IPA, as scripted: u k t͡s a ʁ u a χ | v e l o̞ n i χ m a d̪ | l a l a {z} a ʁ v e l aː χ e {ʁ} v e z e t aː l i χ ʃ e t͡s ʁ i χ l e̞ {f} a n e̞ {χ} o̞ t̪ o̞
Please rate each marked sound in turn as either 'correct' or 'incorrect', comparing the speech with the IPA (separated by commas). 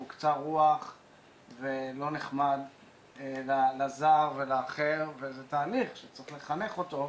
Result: correct, correct, incorrect, correct